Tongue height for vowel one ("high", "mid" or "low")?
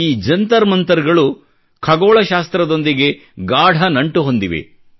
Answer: high